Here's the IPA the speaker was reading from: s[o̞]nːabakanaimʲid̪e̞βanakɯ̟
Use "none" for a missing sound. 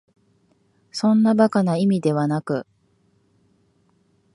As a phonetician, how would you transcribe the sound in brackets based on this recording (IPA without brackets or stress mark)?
õ̞